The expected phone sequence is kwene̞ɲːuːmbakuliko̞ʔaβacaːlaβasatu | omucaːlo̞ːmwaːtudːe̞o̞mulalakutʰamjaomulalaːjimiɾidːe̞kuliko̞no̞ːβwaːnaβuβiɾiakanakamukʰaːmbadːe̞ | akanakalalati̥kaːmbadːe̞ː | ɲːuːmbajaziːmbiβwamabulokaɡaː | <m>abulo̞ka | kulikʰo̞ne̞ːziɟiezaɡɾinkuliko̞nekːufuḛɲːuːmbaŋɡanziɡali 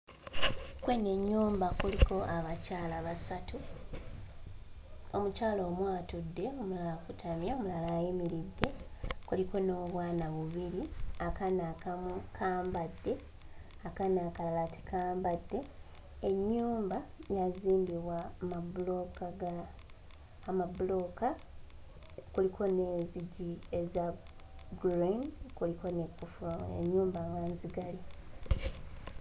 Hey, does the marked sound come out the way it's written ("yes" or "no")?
yes